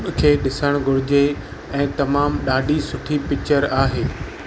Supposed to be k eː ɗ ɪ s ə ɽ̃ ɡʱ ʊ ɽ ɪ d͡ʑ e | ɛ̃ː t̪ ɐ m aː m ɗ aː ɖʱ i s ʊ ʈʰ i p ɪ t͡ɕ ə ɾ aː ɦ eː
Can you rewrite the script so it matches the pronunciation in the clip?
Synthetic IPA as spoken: kʰ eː ɗ ɪ s ə ɽ̃ ɡʱ ʊ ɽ ɪ d͡ʑ e | ɛ̃ː t̪ ɐ m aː m ɗ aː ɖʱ i s ʊ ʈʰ i p ɪ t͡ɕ ə ɾ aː ɦ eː